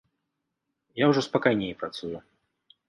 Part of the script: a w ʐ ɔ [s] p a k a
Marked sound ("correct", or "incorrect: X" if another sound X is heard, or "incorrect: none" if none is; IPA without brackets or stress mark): correct